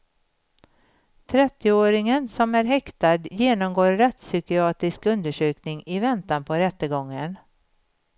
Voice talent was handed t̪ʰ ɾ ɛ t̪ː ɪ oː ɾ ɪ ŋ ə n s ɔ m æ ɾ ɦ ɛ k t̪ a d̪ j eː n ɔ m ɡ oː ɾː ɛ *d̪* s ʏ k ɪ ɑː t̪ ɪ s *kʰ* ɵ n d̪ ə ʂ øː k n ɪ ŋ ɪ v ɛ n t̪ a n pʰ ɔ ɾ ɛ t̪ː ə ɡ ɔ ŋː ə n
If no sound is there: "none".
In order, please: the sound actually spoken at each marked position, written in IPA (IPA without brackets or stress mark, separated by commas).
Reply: t̪, k